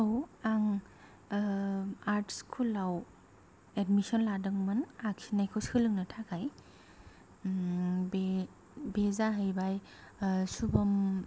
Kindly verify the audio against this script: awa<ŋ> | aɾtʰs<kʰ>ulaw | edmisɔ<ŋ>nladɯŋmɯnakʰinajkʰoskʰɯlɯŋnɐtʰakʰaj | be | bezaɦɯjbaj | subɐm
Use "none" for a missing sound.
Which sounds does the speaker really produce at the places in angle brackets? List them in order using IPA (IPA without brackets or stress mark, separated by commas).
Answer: ŋ, kʰ, none